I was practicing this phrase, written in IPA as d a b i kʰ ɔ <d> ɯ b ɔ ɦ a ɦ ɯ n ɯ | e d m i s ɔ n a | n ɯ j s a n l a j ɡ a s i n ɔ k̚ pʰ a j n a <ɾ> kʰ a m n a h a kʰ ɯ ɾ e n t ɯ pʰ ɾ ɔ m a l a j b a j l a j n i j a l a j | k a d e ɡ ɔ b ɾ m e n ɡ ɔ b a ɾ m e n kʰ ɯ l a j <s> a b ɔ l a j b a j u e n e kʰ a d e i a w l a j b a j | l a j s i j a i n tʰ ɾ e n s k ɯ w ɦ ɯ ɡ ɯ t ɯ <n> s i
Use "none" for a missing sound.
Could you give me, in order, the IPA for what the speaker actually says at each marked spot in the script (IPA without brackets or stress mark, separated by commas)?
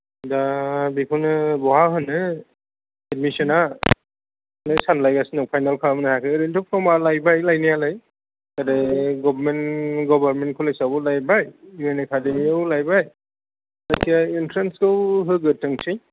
n, l, s, ŋ